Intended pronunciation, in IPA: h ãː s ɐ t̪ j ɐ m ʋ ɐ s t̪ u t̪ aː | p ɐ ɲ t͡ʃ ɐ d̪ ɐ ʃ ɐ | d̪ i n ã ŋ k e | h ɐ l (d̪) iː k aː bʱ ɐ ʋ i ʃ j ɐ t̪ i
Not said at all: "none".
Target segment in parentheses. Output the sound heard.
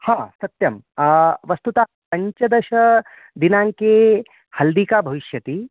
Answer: d̪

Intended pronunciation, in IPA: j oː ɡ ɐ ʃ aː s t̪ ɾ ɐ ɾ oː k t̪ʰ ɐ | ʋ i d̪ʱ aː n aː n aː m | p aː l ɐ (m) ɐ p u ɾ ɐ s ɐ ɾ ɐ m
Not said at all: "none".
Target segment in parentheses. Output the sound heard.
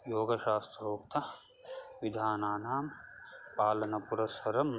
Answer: n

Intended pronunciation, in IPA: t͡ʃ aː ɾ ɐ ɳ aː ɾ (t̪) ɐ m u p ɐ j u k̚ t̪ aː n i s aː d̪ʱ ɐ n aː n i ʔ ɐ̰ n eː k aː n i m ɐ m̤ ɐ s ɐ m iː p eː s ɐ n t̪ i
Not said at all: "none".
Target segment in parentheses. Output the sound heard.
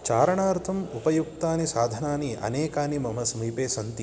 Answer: t̪ʰ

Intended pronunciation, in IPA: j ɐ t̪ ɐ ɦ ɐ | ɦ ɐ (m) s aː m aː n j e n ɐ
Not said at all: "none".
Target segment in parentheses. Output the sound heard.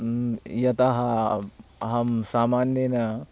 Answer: m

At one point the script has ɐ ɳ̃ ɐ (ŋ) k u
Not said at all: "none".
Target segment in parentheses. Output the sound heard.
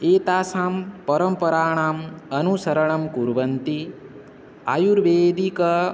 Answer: m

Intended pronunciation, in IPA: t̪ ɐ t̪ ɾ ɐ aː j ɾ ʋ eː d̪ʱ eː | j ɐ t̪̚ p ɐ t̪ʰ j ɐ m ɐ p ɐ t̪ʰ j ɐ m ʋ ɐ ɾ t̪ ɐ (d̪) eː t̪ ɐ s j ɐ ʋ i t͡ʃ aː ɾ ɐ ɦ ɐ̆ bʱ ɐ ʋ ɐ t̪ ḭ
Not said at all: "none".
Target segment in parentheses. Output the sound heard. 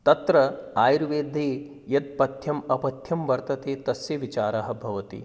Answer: t̪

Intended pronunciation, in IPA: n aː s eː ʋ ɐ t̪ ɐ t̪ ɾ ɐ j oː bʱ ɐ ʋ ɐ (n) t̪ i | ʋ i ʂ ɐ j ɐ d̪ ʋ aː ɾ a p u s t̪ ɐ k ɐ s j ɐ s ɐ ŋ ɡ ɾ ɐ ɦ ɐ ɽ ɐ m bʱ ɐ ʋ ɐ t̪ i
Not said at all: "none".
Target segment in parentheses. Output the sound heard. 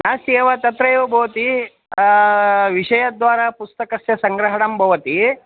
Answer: none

